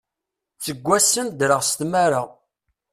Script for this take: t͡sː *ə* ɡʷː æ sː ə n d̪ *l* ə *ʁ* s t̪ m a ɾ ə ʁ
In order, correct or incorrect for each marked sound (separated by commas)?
correct, incorrect, correct